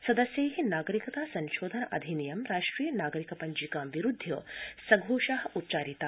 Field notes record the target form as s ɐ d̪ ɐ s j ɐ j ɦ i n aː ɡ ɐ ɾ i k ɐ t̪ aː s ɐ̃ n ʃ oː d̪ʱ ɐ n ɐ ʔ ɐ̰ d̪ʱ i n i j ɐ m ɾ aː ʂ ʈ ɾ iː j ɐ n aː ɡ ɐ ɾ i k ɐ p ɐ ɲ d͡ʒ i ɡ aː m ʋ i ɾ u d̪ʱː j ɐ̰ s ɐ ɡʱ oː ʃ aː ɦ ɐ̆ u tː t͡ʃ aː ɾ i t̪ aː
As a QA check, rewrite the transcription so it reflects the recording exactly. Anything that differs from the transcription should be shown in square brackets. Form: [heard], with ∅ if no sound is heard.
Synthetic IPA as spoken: s ɐ d̪ ɐ s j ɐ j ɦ i n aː ɡ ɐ ɾ i k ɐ t̪ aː s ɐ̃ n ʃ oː d̪ʱ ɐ n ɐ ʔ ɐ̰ d̪ʱ i n i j ɐ m ɾ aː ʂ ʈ ɾ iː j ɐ n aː ɡ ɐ ɾ i k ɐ p ɐ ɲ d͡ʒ i [k] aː m ʋ i ɾ u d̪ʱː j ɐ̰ s ɐ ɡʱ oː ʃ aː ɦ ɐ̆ u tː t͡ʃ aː ɾ i t̪ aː

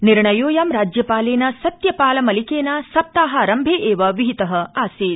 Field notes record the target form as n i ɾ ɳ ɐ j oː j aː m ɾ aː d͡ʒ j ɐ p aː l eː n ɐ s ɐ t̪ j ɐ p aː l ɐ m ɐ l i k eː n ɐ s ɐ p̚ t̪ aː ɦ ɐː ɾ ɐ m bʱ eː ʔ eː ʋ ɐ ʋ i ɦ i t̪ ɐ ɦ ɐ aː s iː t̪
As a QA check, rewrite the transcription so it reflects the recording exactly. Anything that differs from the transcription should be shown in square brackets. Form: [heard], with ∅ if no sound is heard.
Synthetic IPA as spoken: n i ɾ ɳ ɐ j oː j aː m ɾ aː d͡ʒ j ɐ p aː l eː n ɐ s ɐ t̪ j ɐ p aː l ɐ m ɐ l i k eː n ɐ s ɐ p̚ t̪ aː ɦ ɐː ɾ ɐ m bʱ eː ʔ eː ʋ ɐ ʋ i ɦ i t̪ ɐ ɦ ɐ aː s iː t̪

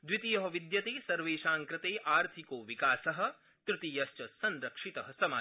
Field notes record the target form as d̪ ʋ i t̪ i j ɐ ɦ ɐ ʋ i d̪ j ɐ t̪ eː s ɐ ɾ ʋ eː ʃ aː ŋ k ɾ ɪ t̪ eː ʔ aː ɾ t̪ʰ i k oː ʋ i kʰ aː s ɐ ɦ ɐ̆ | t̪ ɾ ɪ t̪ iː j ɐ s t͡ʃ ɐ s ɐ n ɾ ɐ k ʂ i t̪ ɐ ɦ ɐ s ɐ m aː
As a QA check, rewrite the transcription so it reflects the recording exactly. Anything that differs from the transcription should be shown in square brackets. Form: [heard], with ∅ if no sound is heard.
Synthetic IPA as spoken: d̪ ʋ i t̪ i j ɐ ɦ ɐ ʋ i d̪ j ɐ t̪ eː s ɐ ɾ ʋ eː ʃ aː ŋ k ɾ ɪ t̪ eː ʔ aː ɾ t̪ʰ i k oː ʋ i [k] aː s ɐ ɦ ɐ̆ | t̪ ɾ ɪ t̪ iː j ɐ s t͡ʃ ɐ s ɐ n ɾ ɐ k ʂ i t̪ ɐ ɦ ɐ s ɐ m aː

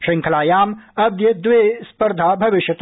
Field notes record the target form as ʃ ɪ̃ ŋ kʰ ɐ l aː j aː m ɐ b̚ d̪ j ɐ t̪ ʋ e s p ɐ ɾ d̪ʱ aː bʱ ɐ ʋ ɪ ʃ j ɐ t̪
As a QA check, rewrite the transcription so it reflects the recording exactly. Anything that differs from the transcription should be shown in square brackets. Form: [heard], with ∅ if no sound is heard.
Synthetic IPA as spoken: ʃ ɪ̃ ŋ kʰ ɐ l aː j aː m ɐ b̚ d̪ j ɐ [d̪] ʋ e s p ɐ ɾ d̪ʱ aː bʱ ɐ ʋ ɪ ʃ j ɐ t̪

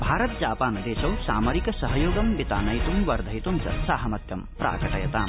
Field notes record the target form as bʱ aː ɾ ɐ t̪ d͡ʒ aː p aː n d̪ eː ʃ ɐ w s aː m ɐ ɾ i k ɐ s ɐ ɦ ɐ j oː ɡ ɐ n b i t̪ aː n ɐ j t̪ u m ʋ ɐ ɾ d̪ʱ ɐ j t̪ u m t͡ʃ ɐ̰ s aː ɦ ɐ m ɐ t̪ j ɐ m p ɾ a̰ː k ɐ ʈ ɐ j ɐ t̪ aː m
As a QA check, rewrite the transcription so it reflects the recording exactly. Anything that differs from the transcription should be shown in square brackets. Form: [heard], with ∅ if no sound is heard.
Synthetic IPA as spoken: bʱ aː ɾ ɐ t̪ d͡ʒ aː p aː n d̪ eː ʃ ɐ w s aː m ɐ ɾ i k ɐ s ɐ ɦ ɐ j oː ɡ ɐ [m] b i t̪ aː n ɐ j t̪ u m ʋ ɐ ɾ d̪ʱ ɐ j t̪ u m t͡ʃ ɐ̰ s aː ɦ ɐ m ɐ t̪ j ɐ m p ɾ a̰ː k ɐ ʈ ɐ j ɐ t̪ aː m

